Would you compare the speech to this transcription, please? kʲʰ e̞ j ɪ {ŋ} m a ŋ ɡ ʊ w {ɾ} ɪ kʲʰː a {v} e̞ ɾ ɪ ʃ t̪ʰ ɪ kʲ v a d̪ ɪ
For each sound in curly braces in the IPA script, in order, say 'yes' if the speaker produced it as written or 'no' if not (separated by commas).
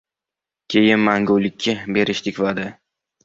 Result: no, no, no